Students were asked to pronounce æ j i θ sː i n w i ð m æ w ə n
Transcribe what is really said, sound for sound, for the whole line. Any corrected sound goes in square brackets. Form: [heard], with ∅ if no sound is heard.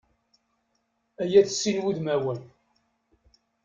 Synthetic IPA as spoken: æ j [æ] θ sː i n w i ð m æ w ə n